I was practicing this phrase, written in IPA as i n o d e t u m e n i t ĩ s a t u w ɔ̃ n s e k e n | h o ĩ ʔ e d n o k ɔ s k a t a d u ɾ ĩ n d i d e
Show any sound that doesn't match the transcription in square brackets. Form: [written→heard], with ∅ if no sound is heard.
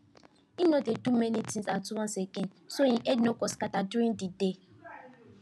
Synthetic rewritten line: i n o d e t u m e n i t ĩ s a t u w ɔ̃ n s e k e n | [h→s] o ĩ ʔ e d n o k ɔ s k a t a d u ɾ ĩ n d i d e